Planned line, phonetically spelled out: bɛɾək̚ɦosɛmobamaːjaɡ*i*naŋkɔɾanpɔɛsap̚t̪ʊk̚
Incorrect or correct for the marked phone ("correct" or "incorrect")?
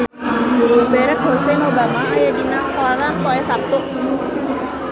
correct